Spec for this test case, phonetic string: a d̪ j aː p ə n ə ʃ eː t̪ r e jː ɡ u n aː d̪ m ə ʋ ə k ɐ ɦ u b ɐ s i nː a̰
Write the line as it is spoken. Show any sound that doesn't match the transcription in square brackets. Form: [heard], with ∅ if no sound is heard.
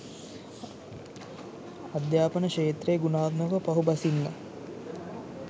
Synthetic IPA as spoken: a d̪ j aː p ə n ə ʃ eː t̪ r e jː ɡ u n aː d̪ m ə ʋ ə [p] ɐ ɦ u b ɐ s i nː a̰